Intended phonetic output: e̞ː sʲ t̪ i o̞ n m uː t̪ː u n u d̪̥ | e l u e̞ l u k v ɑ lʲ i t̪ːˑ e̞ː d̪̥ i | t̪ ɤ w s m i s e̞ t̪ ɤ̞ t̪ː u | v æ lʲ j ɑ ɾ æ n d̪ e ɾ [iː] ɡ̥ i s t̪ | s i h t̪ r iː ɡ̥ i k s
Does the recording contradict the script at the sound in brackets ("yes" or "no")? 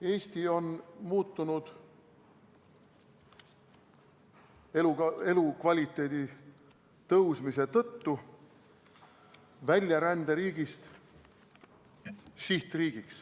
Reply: no